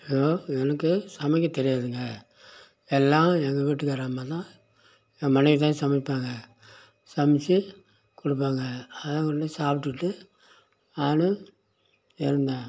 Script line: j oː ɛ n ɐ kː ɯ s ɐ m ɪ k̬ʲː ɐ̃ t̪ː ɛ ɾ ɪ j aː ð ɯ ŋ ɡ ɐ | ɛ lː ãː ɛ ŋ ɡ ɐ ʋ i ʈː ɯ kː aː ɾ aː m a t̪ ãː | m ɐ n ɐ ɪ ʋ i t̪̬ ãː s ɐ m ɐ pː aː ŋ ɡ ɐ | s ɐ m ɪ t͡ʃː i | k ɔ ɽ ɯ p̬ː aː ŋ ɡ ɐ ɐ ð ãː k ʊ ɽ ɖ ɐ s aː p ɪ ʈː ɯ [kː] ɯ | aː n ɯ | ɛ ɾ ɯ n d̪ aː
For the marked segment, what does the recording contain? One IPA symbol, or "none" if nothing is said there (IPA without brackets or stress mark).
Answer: ʈː